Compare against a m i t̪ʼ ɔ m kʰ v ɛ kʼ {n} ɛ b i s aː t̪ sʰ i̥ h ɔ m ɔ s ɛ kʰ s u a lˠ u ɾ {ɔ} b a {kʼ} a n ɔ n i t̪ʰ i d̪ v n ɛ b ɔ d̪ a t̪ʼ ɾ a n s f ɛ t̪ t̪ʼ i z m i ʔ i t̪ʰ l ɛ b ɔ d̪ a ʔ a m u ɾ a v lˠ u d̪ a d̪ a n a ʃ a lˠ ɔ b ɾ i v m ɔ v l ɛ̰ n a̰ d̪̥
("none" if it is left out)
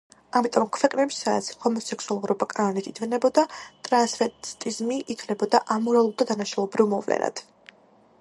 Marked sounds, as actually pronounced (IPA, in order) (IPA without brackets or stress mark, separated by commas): n, ɔ, kʼ